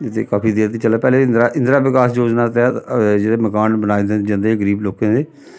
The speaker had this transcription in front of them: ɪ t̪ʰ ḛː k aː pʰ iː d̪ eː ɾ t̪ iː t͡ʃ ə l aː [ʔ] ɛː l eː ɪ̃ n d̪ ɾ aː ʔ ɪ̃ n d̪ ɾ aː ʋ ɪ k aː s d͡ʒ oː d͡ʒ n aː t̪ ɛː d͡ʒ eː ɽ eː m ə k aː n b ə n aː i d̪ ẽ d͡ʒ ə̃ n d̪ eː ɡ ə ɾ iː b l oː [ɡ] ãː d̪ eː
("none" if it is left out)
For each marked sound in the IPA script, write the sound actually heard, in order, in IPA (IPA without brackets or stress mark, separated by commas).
p, k